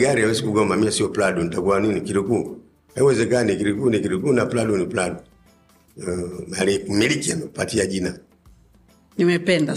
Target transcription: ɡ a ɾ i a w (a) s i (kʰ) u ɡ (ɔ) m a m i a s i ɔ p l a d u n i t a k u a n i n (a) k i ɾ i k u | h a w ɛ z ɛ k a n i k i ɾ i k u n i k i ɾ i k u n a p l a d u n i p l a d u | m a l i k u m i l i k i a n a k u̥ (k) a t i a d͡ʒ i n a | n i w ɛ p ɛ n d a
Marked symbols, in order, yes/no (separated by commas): no, no, yes, no, no